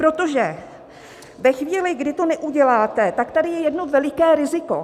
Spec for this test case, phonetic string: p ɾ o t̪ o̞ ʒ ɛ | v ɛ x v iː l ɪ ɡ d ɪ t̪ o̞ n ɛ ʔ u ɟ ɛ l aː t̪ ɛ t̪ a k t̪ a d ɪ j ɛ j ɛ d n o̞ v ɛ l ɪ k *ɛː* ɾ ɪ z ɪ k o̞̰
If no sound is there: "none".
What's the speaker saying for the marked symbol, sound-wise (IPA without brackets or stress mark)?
ɛː